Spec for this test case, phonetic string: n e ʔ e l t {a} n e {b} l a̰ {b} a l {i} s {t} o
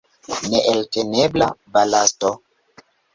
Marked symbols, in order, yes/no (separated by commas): no, yes, yes, no, yes